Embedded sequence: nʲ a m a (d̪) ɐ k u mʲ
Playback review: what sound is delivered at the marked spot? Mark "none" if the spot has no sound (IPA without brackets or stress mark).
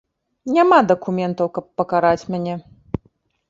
d̪